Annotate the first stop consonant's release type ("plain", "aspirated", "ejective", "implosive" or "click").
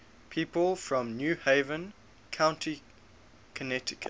aspirated